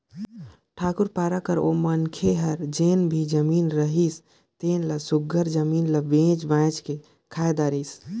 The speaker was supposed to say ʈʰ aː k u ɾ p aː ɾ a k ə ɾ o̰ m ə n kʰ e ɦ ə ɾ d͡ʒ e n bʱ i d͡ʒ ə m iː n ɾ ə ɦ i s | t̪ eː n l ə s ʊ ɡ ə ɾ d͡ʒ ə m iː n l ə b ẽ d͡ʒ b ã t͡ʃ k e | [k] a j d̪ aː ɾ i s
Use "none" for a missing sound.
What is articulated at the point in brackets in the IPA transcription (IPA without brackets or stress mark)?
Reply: kʰ